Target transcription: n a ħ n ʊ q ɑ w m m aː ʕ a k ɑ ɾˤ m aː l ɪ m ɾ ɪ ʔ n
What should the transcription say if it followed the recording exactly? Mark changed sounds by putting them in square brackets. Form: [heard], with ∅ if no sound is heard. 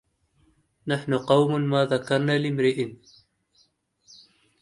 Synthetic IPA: n a ħ n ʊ q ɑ w m m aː [ð] a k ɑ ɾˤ [n] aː l ɪ m ɾ ɪ ʔ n